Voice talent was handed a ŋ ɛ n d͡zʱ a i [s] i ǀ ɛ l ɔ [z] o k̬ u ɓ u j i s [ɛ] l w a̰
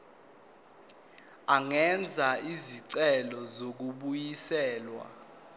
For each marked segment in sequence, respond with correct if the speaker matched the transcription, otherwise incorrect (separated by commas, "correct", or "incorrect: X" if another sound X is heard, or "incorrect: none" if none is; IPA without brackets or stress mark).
incorrect: z, correct, incorrect: ɛː